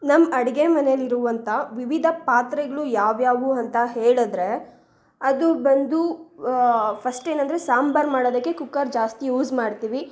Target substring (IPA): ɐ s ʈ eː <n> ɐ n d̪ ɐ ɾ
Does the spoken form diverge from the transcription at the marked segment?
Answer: no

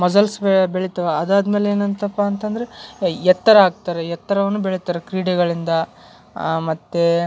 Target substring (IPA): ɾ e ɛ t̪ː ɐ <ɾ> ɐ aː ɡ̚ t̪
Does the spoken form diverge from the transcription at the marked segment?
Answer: no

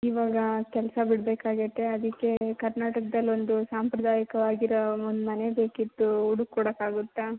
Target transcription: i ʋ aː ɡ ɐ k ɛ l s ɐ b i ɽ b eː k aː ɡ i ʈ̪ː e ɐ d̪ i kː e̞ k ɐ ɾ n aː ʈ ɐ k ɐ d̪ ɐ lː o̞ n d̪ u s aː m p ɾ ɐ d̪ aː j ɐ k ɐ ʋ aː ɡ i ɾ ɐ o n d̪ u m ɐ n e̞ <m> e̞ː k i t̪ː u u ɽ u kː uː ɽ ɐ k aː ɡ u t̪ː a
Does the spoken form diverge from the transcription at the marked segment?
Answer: yes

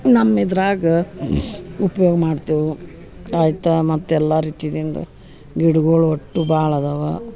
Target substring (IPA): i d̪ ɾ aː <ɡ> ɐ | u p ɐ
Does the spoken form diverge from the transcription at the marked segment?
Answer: no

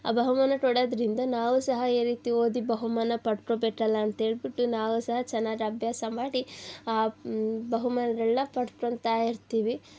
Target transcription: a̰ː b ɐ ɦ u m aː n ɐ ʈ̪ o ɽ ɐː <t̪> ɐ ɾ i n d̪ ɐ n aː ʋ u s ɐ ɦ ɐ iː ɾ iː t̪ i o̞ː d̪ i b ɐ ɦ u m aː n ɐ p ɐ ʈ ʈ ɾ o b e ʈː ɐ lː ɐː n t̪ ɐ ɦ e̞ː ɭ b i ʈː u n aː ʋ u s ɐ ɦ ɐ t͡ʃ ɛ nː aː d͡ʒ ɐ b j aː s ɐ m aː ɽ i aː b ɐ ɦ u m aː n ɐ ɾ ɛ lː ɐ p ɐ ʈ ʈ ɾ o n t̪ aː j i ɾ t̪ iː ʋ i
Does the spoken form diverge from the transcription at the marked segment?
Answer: yes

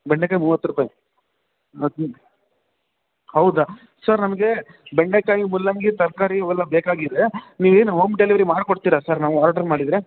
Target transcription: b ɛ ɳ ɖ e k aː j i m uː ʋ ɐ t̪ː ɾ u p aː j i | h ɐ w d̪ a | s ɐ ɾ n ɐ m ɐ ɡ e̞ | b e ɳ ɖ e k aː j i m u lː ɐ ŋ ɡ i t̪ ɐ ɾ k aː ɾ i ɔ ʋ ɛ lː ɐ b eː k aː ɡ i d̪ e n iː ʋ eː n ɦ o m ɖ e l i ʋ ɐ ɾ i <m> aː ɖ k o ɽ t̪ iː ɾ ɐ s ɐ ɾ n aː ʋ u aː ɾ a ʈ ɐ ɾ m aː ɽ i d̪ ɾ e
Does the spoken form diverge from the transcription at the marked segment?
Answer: no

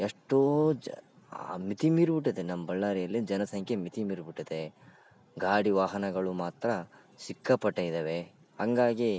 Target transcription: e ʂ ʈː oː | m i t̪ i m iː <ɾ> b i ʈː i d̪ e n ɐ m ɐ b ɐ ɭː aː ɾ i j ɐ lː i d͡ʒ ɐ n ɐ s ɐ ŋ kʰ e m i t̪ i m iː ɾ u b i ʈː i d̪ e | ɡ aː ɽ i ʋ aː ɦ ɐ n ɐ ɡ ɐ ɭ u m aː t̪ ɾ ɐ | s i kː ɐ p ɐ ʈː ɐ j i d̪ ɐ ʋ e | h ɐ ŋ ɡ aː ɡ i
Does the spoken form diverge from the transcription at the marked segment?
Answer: no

